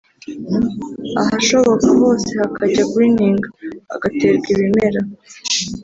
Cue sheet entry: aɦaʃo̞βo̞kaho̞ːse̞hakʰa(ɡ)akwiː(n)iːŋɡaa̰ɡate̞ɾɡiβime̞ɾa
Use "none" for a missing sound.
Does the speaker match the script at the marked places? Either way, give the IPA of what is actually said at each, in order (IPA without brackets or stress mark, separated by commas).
ɟ, n